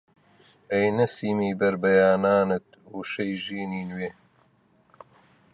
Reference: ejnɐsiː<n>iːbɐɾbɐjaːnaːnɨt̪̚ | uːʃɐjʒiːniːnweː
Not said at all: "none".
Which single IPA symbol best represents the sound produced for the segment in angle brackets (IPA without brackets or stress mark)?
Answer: m